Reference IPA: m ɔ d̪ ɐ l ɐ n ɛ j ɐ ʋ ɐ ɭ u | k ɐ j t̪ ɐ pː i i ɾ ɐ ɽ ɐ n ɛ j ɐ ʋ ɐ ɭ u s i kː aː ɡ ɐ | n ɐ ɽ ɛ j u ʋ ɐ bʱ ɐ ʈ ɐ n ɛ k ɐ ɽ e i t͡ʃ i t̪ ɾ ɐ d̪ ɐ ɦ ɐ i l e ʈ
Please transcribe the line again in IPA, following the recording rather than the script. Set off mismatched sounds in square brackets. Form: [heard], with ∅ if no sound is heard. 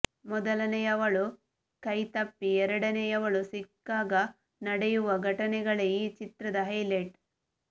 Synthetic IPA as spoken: m ɔ d̪ ɐ l ɐ n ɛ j ɐ ʋ ɐ ɭ u | k ɐ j t̪ ɐ pː i [ɛ] ɾ ɐ ɽ ɐ n ɛ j ɐ ʋ ɐ ɭ u s i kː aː ɡ ɐ | n ɐ ɽ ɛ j u ʋ ɐ [ɡʱ] ɐ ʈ ɐ n ɛ [ɡ] ɐ [ɭ] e i t͡ʃ i t̪ ɾ ɐ d̪ ɐ ɦ ɐ [j] l e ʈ